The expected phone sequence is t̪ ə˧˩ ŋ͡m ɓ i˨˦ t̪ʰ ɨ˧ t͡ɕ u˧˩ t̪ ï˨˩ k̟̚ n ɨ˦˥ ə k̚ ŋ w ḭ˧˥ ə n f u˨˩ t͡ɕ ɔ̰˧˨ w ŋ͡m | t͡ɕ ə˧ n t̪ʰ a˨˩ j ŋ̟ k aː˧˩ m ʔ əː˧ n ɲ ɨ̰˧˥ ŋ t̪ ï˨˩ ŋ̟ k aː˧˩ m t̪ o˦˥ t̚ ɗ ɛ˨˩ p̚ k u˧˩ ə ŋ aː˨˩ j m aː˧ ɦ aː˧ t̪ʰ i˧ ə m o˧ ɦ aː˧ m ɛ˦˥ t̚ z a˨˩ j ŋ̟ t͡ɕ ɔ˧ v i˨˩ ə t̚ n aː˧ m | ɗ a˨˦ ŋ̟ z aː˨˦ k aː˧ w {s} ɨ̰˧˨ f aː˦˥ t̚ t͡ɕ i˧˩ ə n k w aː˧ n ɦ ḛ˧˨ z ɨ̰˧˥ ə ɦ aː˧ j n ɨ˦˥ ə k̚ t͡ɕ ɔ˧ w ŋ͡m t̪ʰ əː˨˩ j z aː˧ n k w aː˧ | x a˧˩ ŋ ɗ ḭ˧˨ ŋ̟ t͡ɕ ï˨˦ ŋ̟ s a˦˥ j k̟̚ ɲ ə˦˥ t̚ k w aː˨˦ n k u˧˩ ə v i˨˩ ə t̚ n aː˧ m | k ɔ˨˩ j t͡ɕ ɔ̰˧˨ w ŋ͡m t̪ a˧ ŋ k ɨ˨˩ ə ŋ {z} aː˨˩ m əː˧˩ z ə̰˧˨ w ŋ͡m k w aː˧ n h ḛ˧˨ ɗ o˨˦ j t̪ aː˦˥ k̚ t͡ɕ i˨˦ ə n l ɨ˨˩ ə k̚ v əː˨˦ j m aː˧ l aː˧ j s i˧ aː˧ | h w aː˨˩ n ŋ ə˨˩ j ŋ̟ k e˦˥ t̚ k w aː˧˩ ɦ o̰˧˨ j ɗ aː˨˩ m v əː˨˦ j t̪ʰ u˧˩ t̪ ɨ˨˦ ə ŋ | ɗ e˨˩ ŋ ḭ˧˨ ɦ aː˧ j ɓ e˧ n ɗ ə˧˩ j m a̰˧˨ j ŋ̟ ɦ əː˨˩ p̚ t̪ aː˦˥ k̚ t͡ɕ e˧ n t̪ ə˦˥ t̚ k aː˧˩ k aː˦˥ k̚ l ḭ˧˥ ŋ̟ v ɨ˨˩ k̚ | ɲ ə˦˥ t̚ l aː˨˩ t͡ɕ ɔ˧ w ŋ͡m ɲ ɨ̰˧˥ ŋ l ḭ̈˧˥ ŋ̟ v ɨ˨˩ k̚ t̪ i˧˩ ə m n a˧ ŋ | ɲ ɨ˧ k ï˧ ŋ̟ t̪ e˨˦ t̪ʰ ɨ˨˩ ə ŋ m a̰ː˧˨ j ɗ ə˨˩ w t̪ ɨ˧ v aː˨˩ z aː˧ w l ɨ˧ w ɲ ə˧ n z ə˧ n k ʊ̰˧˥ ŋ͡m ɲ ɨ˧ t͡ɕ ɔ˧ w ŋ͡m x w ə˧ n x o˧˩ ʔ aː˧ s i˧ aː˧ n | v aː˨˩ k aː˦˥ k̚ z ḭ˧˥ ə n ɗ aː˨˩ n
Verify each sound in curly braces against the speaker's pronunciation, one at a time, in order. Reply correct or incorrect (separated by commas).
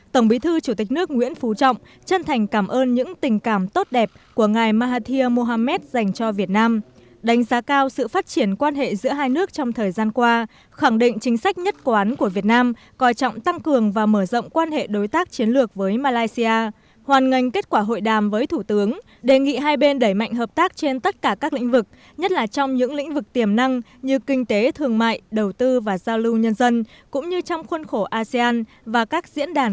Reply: correct, incorrect